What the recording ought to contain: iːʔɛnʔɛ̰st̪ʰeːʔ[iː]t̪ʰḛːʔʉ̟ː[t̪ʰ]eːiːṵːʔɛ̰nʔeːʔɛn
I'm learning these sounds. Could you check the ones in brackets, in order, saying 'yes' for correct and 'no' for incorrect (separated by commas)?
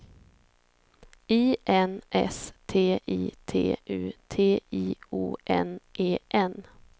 yes, yes